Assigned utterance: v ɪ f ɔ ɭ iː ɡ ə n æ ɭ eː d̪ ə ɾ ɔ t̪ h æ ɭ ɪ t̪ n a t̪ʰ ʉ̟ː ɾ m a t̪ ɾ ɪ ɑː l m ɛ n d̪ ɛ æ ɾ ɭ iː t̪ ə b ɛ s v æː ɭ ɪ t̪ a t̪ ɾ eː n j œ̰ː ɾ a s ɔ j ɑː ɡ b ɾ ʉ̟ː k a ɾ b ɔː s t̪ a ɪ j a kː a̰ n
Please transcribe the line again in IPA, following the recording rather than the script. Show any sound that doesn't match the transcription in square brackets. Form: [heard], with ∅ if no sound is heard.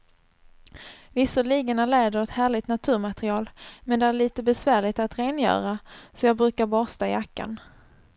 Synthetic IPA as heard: v ɪ [s] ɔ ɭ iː ɡ ə n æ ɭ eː d̪ ə ɾ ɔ t̪ h [æː] ɭ ɪ t̪ n a t̪ʰ ʉ̟ː ɾ m a t̪ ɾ ɪ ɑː l m ɛ n d̪ ɛ æ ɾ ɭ iː t̪ ə b ɛ s v æː ɭ ɪ t̪ a t̪ ɾ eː n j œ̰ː ɾ a s ɔ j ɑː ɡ b ɾ ʉ̟ː k a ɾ b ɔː s t̪ a ɪ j a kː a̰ n